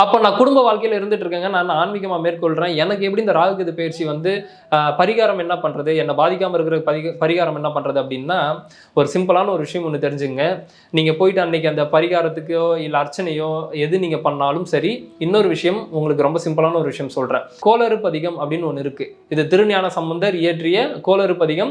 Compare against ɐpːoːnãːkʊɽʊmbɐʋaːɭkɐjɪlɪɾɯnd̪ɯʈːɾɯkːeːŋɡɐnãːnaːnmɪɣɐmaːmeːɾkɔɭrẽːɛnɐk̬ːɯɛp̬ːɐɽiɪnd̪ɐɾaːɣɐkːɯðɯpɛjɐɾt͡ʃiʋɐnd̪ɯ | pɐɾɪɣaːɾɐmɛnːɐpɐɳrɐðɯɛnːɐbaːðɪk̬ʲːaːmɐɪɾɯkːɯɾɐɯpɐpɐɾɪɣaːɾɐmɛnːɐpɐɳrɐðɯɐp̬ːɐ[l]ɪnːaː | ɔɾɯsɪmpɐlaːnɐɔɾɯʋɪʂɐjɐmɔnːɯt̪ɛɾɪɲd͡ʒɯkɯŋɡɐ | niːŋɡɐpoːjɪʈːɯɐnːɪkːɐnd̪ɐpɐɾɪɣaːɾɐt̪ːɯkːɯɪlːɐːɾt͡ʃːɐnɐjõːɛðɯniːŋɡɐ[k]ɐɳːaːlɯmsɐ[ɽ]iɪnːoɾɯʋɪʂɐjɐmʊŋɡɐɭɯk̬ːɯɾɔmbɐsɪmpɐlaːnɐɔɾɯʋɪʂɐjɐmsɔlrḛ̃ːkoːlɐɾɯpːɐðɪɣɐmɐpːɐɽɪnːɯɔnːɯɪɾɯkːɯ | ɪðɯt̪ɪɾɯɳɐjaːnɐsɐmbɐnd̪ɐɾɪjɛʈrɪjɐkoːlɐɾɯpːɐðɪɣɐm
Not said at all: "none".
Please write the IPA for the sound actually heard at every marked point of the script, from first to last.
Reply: ɽ, p, ɾ

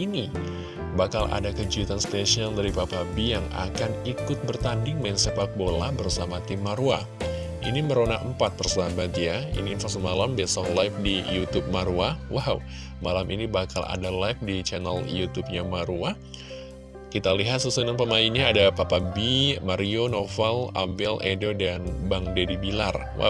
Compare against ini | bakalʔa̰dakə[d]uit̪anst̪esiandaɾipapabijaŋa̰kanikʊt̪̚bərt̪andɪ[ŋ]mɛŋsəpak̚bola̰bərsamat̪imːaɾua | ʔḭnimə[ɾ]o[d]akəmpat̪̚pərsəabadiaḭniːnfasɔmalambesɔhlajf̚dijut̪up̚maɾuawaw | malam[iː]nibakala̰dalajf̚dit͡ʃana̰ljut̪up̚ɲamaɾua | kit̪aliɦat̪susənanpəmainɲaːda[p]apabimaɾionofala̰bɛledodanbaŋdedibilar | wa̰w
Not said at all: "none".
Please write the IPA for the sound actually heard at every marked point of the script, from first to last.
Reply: d͡ʒ, ŋ, ɾ, n, i, p

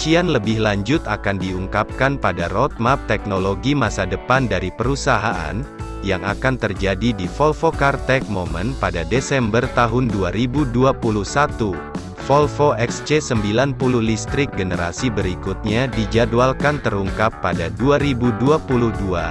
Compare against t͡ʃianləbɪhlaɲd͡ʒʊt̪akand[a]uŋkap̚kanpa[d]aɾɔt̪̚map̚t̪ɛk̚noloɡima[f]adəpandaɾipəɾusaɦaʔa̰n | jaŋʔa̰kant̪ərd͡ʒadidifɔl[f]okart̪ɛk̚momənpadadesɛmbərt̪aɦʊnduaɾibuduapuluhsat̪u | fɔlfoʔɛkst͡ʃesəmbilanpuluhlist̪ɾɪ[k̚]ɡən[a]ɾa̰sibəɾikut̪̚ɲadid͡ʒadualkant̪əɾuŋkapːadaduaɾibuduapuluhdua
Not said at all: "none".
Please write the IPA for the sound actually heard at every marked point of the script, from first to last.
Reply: i, d, s, f, k̚, ə

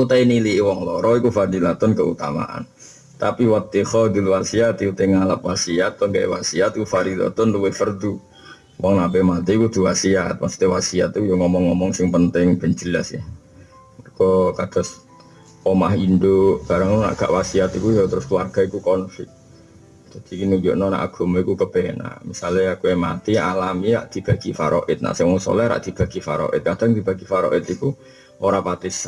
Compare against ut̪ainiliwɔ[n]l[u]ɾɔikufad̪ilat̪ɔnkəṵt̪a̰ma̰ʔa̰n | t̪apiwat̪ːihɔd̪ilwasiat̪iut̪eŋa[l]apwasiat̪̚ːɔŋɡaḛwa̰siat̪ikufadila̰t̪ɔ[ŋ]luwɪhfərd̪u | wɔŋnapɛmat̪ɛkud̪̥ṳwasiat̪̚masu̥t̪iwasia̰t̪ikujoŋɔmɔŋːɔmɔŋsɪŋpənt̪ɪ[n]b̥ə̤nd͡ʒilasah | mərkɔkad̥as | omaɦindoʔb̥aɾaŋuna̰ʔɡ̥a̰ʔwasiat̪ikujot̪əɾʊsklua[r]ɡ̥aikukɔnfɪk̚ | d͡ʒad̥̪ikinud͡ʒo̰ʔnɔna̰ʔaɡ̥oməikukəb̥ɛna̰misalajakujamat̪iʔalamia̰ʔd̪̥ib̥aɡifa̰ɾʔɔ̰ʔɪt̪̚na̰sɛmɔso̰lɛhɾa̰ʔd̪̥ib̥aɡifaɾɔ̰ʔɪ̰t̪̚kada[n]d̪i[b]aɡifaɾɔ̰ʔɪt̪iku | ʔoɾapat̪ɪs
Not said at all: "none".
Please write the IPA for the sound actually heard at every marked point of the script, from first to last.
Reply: ŋ, ɔ, l, n, ŋ, r, ŋ, b

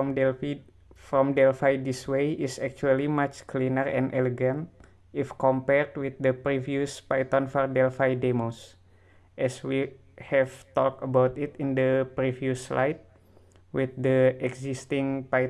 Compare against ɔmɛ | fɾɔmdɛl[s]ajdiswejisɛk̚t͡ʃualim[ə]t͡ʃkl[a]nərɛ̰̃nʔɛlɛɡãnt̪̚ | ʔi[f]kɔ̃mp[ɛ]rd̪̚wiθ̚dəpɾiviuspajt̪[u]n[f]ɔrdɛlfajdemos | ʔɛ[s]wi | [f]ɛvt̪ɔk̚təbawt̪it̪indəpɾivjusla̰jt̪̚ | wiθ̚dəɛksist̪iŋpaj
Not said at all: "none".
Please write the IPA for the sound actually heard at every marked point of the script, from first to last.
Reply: f, a, i, f, ɛ, ɔ, f, s, h

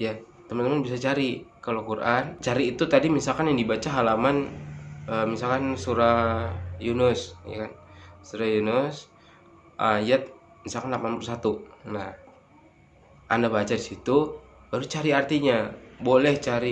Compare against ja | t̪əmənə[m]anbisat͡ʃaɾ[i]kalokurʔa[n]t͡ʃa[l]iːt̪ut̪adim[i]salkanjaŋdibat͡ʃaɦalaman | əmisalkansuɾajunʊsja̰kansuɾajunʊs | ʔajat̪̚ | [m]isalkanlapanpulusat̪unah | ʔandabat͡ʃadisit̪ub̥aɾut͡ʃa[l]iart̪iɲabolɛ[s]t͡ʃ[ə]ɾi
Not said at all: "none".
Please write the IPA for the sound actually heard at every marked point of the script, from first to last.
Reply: m, i, n, ɾ, i, m, ɾ, h, a

